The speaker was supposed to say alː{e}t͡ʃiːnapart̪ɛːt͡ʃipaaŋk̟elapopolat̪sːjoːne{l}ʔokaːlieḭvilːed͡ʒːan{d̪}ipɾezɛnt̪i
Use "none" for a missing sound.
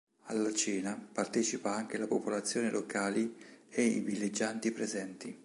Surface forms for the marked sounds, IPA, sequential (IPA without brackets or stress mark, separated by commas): a, l, t̪